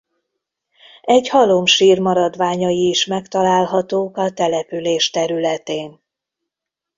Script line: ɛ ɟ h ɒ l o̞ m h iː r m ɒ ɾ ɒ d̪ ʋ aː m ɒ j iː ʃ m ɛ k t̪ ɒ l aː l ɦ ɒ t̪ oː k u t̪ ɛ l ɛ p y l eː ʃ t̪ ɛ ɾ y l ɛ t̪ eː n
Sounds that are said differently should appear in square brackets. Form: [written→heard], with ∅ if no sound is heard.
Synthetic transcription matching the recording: ɛ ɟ h ɒ l o̞ m [h→ʃ] iː r m ɒ ɾ ɒ d̪ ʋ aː [m→ɲ] ɒ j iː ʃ m ɛ k t̪ ɒ l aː l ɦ ɒ t̪ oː k [u→ɒ] t̪ ɛ l ɛ p y l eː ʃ t̪ ɛ ɾ y l ɛ t̪ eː n